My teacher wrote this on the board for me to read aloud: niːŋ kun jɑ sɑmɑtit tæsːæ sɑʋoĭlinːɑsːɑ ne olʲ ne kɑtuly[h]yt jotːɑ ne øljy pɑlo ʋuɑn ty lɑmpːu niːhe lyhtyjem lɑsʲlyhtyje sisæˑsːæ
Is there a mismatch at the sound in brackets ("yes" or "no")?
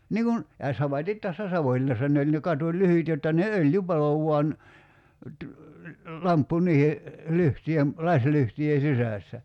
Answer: no